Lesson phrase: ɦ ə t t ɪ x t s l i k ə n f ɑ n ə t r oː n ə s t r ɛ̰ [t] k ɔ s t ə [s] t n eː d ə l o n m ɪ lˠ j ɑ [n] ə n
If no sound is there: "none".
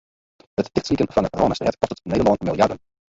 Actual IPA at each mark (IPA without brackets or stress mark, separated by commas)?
t, none, d